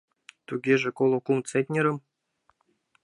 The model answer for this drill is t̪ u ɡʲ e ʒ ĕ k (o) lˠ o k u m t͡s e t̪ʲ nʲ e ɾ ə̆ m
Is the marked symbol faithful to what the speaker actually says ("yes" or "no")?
yes